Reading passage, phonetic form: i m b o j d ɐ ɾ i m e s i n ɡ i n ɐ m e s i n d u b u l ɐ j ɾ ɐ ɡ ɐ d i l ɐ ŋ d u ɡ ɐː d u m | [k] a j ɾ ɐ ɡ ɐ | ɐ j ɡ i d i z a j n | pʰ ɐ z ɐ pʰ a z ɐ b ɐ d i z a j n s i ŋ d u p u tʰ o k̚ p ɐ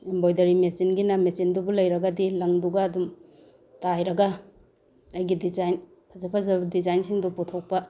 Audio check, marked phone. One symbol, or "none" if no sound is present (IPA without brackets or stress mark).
t